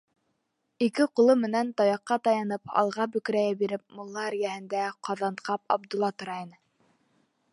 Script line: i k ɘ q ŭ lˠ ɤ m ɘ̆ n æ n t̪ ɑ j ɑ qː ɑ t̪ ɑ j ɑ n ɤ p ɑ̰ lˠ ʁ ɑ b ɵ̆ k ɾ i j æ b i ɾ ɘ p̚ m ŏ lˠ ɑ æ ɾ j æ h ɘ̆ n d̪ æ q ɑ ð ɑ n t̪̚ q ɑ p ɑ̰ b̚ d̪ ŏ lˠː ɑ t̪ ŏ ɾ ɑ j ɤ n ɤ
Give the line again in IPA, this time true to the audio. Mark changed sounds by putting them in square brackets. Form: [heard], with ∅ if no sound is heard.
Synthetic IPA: i k ɘ q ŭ lˠ ɤ m ɘ̆ n æ n t̪ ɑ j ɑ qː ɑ t̪ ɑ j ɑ n ɤ p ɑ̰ lˠ ʁ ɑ b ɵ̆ k ɾ [æ] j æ b i ɾ ɘ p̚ m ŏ [lˠː] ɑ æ ɾ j æ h ɘ̆ n d̪ æ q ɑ ð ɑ n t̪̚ q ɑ p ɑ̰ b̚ d̪ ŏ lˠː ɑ t̪ ŏ ɾ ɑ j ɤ n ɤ